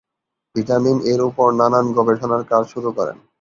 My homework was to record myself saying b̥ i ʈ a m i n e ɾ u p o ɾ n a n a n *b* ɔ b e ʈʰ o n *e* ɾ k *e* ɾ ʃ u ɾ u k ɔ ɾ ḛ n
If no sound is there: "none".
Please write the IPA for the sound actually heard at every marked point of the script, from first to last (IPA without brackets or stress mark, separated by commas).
ɡ, a, a